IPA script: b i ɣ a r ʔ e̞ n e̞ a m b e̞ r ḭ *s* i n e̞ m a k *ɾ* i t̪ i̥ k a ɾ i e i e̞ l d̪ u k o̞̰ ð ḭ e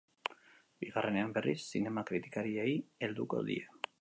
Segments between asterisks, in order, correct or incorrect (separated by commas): incorrect, correct